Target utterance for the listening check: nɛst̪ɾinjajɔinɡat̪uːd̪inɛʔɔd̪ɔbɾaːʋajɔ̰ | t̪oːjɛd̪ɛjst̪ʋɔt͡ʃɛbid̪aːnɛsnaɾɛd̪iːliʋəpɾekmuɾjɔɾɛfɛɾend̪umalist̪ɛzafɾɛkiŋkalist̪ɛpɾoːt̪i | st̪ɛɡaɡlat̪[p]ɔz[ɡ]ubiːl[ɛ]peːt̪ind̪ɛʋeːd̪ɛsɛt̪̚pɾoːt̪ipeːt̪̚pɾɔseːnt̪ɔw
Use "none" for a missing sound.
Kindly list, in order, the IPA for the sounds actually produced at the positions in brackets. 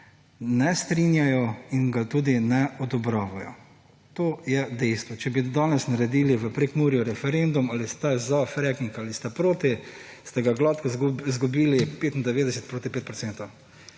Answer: k, ɡ, i

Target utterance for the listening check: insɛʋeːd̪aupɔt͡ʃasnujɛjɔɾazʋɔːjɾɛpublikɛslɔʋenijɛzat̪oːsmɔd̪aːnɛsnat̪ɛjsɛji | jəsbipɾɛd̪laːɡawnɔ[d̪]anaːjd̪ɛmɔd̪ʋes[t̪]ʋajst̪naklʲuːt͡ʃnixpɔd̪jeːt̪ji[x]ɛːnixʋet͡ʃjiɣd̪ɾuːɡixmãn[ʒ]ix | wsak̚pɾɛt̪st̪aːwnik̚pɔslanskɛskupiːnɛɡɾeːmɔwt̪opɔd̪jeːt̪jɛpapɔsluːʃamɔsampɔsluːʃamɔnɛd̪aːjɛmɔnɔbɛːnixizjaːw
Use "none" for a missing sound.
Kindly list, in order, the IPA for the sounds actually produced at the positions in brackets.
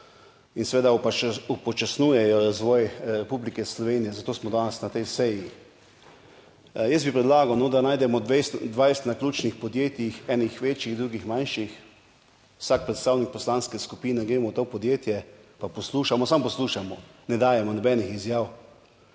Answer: d̪, d̪, x, ʃ

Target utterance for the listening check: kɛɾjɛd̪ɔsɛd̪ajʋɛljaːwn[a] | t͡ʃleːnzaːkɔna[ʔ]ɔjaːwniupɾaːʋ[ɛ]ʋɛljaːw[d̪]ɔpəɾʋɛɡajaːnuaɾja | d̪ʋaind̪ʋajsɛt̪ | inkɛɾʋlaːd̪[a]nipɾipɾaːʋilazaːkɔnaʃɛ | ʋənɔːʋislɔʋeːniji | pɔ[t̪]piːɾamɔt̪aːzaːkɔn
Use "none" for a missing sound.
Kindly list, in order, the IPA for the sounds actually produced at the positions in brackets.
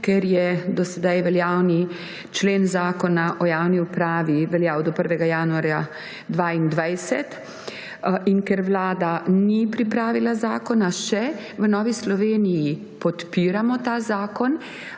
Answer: i, ʔ, i, d̪, a, t̪

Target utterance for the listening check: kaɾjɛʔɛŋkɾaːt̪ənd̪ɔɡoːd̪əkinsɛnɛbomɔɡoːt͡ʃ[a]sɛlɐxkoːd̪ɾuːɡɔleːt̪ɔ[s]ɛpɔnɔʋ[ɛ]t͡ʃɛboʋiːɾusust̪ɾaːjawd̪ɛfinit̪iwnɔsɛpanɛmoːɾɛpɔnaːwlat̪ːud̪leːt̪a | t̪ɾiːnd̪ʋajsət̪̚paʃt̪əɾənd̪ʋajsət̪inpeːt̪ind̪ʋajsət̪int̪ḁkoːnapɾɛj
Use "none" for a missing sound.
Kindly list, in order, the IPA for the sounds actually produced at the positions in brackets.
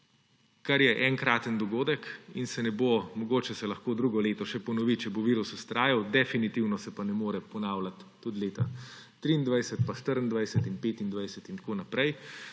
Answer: ɛ, ʃ, i

